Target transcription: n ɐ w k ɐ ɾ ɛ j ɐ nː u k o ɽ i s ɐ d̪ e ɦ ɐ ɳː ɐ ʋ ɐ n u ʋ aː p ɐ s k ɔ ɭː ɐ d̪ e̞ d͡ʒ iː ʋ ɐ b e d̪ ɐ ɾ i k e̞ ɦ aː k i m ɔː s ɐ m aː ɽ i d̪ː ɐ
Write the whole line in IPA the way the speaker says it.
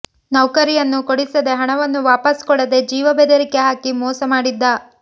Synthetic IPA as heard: n ɐ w k ɐ ɾ i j ɐ nː u k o ɽ i s ɐ d̪ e ɦ ɐ ɳ ɐ ʋ ɐ nː u ʋ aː p ɐ s k ɔ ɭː ɐ d̪ e̞ d͡ʒ iː ʋ ɐ b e d̪ ɐ ɾ i k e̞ ɦ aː k i m ɔː s ɐ m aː ɽ i d̪ː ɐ